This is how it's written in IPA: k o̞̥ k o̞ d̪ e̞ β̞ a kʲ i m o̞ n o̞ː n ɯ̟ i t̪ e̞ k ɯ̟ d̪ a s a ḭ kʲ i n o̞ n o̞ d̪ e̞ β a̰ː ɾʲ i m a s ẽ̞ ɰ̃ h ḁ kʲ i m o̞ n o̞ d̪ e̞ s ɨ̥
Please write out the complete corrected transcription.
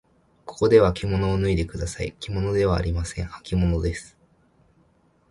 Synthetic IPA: k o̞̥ k o̞ d̪ e̞ β̞ a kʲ i m o̞ n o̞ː n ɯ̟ i d̪ e̞ k ɯ̟ d̪ a s a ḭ kʲ i m o̞ n o̞ d̪ e̞ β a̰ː ɾʲ i m a s ẽ̞ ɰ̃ h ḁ kʲ i m o̞ n o̞ d̪ e̞ s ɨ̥